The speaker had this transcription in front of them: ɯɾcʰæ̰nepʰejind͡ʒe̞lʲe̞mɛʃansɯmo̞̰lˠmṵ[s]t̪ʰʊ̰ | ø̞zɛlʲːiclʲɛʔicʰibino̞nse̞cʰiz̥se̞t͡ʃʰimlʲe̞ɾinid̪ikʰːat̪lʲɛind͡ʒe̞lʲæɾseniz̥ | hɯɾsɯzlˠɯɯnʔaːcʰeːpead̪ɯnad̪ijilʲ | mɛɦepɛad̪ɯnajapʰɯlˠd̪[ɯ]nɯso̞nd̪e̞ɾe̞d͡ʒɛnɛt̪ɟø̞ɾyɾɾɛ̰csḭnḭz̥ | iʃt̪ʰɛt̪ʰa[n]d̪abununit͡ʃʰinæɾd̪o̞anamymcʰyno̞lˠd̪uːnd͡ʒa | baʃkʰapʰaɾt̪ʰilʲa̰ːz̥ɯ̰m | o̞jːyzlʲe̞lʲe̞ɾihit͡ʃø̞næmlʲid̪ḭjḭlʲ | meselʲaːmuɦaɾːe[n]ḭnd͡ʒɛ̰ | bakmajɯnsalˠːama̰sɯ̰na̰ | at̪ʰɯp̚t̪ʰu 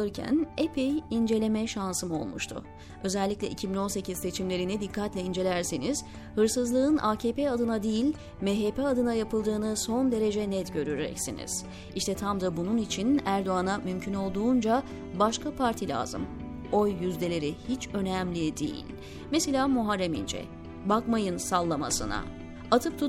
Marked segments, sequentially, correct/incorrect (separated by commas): incorrect, incorrect, incorrect, incorrect